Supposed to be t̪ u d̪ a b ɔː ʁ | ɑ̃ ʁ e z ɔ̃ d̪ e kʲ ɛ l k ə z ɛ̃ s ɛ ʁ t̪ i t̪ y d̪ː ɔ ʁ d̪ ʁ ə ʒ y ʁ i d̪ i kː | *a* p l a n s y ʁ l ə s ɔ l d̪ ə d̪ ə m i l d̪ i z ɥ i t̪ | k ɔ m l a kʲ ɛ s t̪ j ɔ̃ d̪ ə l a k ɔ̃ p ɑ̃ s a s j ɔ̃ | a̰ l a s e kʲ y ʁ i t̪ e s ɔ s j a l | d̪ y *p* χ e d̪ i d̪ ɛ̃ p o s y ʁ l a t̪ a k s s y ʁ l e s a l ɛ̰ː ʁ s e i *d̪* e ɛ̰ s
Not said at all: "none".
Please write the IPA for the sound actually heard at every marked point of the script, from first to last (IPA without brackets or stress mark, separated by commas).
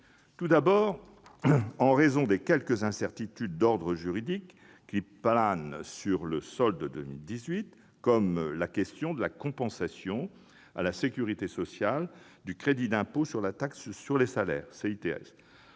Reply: i, k, t̪